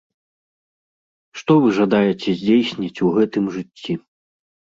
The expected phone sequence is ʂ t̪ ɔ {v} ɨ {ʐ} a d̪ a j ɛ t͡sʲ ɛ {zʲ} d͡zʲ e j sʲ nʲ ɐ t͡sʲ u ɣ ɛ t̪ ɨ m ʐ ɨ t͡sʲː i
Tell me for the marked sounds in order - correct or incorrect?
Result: correct, correct, correct

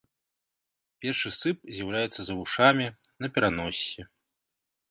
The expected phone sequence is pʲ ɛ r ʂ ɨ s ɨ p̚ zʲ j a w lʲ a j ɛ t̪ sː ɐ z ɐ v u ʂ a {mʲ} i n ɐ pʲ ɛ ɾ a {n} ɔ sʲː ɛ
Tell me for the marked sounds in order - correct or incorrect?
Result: correct, correct

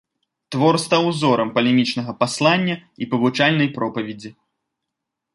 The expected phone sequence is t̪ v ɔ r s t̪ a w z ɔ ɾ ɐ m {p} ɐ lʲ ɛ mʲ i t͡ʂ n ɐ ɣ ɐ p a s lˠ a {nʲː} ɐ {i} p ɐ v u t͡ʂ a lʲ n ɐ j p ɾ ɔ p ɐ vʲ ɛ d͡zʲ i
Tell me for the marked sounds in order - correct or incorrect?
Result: correct, correct, correct

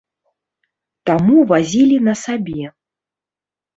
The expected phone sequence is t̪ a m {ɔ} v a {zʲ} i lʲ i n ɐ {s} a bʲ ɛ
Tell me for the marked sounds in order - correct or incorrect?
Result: incorrect, correct, correct

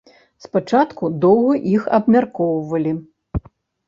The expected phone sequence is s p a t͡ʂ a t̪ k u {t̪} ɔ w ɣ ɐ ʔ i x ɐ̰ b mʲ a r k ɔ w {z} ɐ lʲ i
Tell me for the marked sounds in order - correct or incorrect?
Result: incorrect, incorrect

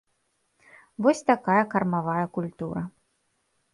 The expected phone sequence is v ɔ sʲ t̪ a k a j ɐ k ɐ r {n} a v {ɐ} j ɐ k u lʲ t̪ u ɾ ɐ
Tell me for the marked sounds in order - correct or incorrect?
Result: incorrect, incorrect

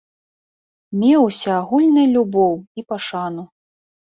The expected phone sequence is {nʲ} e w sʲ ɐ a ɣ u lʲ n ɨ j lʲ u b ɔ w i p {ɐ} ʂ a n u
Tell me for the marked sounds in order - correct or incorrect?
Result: incorrect, incorrect

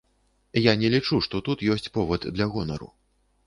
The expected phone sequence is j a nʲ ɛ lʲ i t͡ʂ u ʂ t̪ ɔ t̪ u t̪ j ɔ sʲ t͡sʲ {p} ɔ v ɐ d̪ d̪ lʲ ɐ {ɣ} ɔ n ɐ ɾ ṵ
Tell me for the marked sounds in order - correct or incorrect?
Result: correct, correct

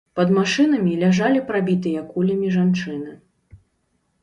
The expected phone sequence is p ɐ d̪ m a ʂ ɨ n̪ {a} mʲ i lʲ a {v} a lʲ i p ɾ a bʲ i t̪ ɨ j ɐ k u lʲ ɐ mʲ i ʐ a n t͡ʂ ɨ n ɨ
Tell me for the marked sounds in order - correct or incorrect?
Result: incorrect, incorrect

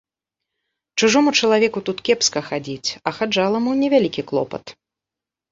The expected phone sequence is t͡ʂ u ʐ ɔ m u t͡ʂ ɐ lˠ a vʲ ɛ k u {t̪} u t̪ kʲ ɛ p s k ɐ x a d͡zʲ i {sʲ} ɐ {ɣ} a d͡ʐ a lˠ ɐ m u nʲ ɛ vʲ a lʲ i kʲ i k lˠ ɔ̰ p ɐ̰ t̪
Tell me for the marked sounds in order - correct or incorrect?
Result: correct, incorrect, incorrect

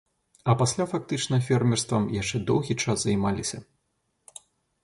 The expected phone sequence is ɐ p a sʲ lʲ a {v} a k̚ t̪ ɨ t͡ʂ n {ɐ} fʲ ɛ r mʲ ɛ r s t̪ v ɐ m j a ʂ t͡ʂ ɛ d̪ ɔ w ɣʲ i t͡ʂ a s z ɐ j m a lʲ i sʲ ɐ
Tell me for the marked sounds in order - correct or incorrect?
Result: incorrect, correct

